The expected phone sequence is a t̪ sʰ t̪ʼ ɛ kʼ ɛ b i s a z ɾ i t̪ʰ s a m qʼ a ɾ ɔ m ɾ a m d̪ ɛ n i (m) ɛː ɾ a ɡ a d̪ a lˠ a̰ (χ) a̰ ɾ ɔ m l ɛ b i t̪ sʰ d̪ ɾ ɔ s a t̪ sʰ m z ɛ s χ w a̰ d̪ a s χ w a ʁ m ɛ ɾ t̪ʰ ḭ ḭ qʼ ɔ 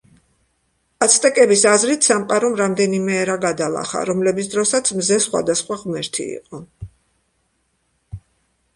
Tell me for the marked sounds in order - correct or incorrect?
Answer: correct, correct

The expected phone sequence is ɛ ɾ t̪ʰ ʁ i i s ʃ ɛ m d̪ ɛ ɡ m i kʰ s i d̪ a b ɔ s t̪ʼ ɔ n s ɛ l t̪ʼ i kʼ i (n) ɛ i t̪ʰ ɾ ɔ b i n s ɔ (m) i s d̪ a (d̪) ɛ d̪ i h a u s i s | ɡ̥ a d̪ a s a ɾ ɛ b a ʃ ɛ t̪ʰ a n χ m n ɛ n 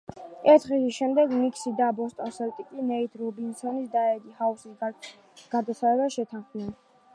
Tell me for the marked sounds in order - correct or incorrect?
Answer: correct, incorrect, incorrect

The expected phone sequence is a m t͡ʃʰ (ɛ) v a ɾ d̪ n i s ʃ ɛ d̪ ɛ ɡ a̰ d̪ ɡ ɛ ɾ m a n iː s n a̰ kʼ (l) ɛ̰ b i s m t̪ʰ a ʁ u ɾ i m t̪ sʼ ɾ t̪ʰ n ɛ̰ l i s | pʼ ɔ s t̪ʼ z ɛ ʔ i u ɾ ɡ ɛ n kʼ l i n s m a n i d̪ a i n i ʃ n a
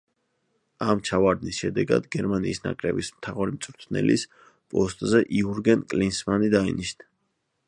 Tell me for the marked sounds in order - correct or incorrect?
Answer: incorrect, incorrect

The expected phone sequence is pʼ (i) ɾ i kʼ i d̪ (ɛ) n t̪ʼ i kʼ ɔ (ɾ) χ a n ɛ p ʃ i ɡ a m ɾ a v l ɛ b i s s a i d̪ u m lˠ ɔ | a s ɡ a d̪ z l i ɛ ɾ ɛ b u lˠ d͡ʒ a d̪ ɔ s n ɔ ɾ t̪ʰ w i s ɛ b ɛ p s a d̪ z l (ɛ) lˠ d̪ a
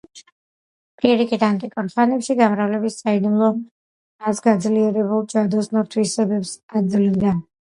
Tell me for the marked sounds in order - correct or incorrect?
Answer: correct, incorrect, correct, incorrect

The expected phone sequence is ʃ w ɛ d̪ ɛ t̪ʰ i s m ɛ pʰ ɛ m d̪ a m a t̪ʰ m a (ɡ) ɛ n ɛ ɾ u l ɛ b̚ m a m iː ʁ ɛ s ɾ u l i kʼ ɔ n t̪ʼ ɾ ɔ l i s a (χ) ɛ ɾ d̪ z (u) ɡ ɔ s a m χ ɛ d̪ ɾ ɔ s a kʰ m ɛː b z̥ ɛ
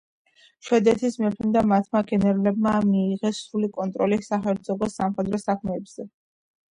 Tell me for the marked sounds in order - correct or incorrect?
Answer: correct, correct, incorrect

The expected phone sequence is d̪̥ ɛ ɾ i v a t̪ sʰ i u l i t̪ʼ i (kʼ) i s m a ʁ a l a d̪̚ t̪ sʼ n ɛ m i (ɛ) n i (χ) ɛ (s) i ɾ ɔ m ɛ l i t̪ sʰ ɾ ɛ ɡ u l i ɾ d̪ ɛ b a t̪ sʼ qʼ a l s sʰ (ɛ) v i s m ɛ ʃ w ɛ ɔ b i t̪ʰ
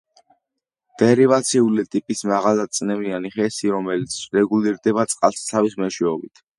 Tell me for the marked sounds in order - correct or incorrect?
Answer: incorrect, incorrect, correct, correct, incorrect

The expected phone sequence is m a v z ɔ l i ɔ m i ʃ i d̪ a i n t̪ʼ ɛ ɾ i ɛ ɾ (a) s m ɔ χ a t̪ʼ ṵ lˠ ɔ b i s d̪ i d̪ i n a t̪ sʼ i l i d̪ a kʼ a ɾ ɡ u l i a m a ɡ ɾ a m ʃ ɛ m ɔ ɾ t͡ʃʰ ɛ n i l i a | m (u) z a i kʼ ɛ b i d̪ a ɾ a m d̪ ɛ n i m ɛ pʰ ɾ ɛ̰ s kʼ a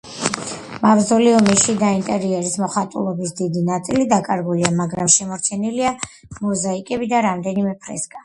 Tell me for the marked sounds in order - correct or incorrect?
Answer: incorrect, incorrect

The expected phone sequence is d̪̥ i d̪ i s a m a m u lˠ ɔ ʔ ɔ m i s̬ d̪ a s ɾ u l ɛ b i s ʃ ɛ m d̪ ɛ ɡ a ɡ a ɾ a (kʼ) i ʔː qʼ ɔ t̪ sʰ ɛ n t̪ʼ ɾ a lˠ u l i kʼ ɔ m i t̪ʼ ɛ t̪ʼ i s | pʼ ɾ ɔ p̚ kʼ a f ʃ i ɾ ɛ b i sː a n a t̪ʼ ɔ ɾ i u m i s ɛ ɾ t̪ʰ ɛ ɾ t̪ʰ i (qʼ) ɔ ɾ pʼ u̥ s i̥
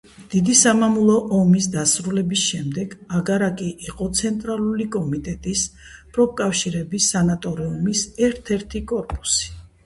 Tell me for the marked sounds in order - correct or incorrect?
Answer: correct, incorrect

